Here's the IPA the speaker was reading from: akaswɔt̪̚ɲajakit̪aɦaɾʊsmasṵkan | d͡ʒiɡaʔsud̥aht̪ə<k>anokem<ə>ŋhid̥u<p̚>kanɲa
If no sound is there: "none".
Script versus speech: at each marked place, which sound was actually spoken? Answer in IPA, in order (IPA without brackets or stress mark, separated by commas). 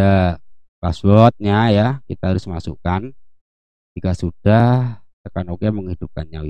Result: k, ə, p̚